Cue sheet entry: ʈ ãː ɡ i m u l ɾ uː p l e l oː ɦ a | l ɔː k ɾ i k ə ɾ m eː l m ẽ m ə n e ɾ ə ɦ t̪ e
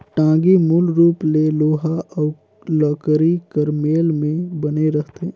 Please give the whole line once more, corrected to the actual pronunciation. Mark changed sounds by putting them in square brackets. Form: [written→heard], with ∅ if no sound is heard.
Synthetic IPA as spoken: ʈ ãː ɡ i m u l ɾ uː p l e l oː ɦ a | l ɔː k ɾ i k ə ɾ m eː l m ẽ [m→b] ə n e ɾ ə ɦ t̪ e